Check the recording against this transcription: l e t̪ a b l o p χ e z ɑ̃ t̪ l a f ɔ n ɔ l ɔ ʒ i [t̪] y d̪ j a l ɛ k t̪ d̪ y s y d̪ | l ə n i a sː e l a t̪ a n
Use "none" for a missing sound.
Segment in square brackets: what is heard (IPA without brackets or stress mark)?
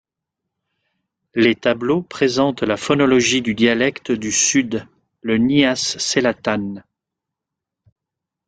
d̪